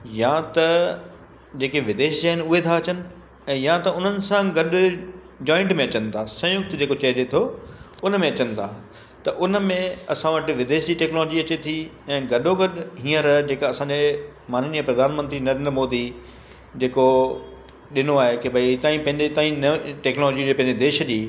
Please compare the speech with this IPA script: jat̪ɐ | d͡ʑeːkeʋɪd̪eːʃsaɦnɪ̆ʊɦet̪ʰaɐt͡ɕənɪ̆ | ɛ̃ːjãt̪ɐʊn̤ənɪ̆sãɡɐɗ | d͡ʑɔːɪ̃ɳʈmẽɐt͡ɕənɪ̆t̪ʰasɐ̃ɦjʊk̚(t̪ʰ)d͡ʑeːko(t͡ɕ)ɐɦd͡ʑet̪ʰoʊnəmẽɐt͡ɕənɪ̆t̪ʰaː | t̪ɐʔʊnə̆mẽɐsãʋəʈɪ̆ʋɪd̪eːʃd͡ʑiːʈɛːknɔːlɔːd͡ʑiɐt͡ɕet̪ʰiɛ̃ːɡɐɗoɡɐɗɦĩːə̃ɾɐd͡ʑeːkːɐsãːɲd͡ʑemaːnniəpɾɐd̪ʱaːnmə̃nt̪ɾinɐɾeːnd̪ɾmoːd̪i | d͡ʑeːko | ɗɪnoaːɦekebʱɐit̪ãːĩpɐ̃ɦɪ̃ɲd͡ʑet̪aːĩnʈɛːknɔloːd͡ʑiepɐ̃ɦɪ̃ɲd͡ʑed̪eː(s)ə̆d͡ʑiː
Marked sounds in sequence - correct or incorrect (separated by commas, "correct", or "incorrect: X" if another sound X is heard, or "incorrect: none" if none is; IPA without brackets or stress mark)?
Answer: incorrect: t̪, correct, incorrect: ʃ